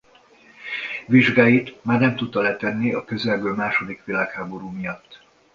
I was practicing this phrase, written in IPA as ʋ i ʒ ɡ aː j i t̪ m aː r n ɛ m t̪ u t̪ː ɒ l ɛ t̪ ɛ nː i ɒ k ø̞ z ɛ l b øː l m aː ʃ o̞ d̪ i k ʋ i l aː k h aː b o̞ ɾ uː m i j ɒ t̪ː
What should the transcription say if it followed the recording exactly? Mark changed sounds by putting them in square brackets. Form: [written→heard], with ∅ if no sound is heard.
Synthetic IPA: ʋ i ʒ ɡ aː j i t̪ m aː r n ɛ m t̪ u t̪ː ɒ l ɛ t̪ ɛ nː i ɒ k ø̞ z ɛ l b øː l m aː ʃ o̞ d̪ i k ʋ i l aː k h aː b o̞ ɾ uː m i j ɒ t̪ː